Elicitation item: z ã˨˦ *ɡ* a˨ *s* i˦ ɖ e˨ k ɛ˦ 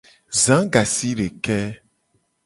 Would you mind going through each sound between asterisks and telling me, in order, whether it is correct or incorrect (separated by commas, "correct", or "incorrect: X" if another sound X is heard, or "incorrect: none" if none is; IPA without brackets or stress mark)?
correct, correct